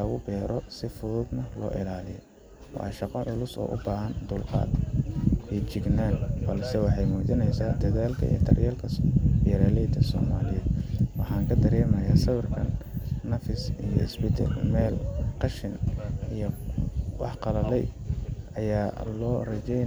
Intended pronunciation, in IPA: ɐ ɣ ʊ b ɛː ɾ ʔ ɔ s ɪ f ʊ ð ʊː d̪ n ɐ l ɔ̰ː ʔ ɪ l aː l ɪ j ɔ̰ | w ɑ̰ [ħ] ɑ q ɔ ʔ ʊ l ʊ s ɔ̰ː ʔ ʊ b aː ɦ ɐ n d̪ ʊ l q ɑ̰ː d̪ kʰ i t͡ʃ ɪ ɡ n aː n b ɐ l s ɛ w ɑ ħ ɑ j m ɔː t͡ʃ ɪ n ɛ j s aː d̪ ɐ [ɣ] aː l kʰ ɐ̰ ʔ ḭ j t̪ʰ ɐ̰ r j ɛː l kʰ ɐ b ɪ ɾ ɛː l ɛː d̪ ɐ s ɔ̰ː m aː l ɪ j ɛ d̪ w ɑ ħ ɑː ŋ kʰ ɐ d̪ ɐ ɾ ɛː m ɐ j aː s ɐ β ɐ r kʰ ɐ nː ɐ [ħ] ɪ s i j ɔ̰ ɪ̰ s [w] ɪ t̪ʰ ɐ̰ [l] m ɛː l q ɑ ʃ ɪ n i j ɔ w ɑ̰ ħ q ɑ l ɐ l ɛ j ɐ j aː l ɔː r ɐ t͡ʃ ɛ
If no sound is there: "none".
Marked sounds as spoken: ʃ, ð, f, b, l

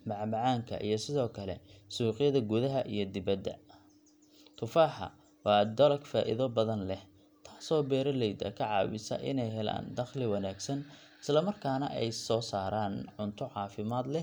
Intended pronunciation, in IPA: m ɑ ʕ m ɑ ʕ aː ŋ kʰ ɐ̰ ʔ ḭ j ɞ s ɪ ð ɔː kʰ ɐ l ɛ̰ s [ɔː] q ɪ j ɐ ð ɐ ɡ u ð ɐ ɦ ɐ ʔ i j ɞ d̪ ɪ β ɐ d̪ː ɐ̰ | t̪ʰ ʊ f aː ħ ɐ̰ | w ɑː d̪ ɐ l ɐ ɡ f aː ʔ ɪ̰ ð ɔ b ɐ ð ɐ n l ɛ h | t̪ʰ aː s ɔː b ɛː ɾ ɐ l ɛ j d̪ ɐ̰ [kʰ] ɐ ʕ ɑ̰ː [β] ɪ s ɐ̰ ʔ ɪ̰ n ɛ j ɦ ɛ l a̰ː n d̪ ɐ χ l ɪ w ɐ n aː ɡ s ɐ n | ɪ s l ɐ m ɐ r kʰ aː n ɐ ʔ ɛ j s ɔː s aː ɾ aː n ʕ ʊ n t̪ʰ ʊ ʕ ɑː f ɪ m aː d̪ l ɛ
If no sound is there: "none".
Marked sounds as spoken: uː, kʰ, w

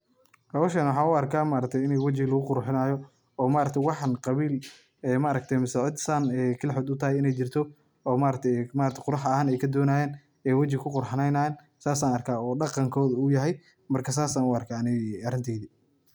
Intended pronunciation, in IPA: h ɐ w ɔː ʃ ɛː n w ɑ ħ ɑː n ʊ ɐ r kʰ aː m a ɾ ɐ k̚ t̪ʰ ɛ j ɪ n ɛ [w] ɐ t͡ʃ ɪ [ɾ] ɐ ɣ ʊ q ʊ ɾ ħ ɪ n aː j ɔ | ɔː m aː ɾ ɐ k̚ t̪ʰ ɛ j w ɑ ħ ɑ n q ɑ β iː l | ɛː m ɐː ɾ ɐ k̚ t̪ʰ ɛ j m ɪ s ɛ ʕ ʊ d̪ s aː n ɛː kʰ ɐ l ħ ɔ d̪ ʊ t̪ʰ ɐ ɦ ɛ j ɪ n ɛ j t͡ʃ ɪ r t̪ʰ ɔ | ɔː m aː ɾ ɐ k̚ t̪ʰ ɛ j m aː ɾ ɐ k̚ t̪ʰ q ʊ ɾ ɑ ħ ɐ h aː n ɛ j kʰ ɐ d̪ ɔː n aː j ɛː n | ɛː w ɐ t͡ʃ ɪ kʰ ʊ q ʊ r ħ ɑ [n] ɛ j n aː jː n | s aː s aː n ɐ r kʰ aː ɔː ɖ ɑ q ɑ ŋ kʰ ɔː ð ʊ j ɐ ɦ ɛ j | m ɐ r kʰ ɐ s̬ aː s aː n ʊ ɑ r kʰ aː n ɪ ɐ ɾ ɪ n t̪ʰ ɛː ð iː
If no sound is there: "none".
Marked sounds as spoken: w, l, n

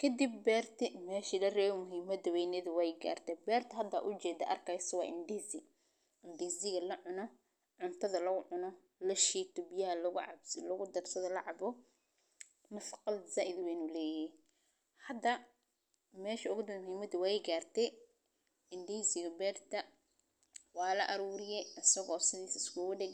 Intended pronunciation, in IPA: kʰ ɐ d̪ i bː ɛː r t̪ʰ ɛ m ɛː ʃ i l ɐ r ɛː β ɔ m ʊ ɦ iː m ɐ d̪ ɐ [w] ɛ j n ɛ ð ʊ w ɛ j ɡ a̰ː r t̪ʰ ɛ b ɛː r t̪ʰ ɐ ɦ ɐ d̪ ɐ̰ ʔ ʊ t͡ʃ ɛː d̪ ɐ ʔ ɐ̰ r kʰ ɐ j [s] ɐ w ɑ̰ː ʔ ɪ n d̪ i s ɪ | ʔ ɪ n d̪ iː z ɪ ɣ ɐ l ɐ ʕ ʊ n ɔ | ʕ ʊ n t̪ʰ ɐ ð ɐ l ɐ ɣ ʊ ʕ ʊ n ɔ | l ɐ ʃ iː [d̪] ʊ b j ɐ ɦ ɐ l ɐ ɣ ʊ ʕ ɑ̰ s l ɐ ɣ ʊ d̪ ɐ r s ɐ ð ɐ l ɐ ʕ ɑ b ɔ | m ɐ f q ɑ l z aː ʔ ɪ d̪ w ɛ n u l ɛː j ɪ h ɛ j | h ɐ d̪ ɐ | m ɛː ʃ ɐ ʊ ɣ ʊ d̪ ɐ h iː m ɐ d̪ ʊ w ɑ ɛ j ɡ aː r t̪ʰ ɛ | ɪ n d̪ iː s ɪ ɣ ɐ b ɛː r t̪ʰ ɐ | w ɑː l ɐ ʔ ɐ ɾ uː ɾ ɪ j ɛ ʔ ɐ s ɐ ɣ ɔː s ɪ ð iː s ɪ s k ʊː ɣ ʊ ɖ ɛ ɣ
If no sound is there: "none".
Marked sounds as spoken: w, s, t̪

